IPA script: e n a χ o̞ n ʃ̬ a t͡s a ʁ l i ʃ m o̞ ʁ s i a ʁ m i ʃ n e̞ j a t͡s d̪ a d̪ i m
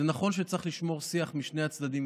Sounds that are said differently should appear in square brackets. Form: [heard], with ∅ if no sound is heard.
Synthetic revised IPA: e n a χ o̞ n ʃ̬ [e] t͡s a [χ] l i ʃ m o̞ ʁ s i a [χ] m i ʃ n e̞ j a t͡s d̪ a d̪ i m